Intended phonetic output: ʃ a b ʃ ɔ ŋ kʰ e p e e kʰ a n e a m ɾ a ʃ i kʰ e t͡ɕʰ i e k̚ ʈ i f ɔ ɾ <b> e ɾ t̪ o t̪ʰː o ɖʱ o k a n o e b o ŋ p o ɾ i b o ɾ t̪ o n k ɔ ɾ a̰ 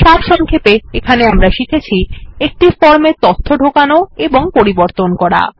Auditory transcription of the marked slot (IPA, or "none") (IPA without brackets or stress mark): m